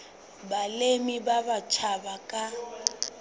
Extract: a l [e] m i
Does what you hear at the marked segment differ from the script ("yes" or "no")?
no